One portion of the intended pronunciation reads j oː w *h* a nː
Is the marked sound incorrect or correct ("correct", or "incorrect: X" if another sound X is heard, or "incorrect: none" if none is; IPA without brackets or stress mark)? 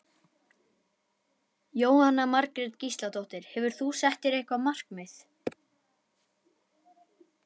correct